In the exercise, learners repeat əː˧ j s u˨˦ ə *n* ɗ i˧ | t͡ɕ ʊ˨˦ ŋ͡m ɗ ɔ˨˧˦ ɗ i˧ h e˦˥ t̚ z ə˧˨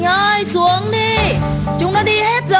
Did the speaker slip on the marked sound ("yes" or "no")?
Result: yes